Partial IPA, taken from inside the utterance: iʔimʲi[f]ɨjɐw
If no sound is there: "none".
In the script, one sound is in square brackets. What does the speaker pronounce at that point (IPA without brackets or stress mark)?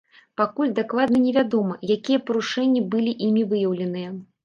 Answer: v